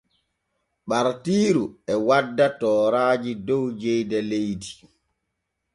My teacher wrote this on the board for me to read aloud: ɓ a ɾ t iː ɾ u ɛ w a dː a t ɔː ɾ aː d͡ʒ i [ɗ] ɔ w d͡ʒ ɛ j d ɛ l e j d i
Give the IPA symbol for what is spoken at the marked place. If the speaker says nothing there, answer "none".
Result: d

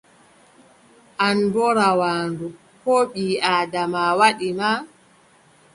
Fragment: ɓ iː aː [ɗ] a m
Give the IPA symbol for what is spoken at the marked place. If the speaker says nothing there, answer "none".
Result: d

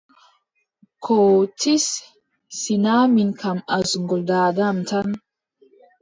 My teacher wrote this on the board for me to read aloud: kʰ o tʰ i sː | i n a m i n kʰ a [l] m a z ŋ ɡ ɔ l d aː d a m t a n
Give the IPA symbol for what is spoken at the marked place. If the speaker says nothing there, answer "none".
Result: none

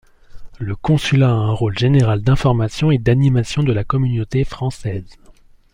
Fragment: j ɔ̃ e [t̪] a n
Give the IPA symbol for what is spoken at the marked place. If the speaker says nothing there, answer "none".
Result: d̪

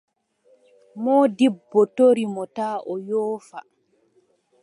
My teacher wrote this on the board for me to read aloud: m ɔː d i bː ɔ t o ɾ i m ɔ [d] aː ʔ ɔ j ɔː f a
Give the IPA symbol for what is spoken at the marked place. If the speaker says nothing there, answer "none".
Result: t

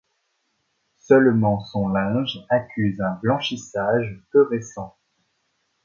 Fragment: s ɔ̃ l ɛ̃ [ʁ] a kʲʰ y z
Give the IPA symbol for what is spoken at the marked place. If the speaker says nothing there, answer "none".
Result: ʒ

